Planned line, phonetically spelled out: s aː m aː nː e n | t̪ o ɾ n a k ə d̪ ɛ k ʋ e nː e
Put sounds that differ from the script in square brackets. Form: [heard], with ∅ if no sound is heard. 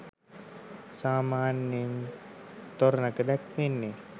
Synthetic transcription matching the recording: s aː m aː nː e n | t̪ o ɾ n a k ə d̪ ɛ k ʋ e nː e